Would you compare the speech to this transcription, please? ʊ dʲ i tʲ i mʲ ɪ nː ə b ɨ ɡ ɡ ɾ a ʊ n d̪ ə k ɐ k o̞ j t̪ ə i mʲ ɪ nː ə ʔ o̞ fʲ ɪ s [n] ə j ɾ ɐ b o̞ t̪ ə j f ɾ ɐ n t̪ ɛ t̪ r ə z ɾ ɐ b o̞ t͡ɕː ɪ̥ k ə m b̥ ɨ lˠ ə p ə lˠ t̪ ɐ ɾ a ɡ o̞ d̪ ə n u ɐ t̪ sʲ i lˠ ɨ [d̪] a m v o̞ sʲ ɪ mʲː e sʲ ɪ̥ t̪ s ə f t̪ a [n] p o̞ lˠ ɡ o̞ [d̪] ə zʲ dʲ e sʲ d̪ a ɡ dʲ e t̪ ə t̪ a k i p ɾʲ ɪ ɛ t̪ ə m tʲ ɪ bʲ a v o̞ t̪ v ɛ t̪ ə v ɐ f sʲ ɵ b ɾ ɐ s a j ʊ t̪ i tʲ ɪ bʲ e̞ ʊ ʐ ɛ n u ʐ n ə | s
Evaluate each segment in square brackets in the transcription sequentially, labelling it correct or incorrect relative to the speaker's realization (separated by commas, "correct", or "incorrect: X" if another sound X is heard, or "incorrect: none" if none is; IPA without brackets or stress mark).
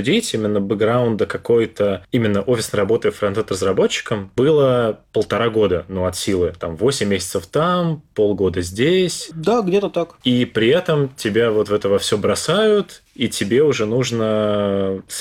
correct, incorrect: t̪, incorrect: m, correct